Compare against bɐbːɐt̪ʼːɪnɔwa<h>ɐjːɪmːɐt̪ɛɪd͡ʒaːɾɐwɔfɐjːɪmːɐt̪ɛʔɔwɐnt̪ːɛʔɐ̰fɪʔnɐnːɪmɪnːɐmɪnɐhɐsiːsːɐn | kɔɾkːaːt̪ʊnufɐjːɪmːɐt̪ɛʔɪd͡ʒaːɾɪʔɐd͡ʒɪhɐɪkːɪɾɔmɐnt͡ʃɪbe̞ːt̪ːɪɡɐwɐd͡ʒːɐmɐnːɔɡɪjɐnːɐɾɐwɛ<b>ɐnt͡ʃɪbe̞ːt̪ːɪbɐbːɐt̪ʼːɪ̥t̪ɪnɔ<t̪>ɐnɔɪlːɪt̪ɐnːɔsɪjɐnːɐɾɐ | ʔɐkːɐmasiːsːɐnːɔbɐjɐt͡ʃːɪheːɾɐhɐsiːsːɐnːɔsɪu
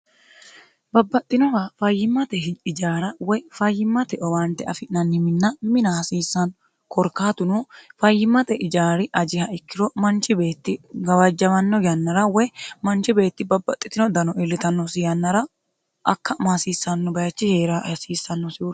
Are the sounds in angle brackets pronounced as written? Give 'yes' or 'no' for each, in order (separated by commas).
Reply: no, no, no